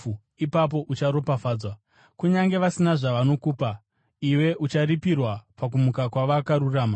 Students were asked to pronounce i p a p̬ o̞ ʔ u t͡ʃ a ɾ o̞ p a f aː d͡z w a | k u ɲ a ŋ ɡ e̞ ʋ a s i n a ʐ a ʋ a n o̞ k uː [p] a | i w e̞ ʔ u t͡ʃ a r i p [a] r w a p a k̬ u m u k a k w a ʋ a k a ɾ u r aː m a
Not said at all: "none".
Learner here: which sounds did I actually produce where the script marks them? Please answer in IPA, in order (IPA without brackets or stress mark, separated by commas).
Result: p, i